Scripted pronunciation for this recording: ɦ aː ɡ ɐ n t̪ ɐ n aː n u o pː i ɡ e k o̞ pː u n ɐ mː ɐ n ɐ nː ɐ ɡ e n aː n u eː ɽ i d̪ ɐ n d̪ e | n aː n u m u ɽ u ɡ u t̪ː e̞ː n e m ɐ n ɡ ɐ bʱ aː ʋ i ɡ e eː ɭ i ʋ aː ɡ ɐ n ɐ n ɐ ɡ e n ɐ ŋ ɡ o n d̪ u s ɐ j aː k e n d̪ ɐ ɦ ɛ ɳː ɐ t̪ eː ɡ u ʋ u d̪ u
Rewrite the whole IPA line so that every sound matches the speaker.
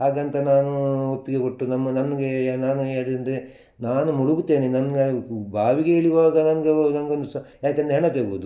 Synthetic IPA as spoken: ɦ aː ɡ ɐ n t̪ ɐ n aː n u o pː i ɡ e k o̞ ʈː u n ɐ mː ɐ n ɐ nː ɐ ɡ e n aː n u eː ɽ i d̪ ɐ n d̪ e | n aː n u m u ɽ u ɡ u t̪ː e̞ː n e n ɐ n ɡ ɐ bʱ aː ʋ i ɡ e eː ɭ i ʋ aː ɡ ɐ n ɐ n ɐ ɡ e n ɐ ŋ ɡ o n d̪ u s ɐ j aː k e n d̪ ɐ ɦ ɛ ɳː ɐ t̪ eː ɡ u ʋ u d̪ u